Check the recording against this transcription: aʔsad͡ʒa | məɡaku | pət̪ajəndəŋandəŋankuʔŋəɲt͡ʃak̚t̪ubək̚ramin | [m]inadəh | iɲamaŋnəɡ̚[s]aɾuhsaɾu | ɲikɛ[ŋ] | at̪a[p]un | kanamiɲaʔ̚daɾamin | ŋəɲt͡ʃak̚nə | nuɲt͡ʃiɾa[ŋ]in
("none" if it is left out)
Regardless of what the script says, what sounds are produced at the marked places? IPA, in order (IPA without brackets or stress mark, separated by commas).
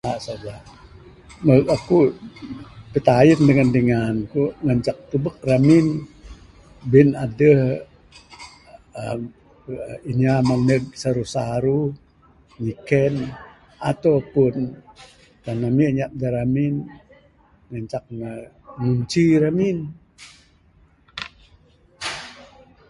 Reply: b, s, n, p, m